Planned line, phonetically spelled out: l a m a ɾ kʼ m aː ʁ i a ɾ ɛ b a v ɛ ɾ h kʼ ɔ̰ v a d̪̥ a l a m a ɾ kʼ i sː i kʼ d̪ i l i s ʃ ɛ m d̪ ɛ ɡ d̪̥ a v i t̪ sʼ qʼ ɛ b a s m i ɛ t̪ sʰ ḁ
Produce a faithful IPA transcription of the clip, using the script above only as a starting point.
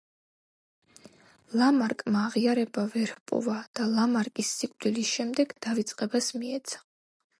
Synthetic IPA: l a m a ɾ kʼ m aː ʁ i a ɾ ɛ b a v ɛ ɾ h pʼ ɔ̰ v a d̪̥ a l a m a ɾ kʼ i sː i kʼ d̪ i l i s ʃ ɛ m d̪ ɛ ɡ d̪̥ a v i t̪ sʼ qʼ ɛ b a s m i ɛ t̪ sʰ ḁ